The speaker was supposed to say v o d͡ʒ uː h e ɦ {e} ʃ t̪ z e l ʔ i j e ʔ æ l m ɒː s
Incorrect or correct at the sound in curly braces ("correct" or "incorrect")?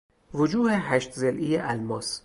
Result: incorrect